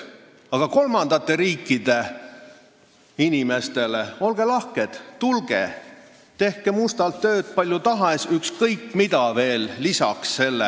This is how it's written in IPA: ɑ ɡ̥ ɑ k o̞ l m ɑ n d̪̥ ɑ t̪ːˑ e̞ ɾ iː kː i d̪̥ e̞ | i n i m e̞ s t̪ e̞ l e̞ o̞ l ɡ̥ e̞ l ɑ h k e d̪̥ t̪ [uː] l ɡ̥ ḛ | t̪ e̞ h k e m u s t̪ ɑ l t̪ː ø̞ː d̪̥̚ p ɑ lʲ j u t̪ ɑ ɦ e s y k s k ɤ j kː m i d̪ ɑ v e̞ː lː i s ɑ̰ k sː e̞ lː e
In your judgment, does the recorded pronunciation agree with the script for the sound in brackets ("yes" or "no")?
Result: no